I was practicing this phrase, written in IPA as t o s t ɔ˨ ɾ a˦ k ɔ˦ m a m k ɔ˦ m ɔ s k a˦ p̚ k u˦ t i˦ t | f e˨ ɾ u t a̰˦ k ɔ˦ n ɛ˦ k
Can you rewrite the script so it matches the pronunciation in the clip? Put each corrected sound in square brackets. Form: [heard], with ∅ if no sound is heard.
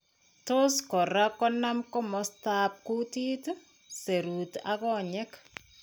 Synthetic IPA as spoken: t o s [k] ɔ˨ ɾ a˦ k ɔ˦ [n] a m k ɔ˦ m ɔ s [t] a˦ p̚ k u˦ t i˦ t | [s] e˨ ɾ u t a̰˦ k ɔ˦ [ɲ] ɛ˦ k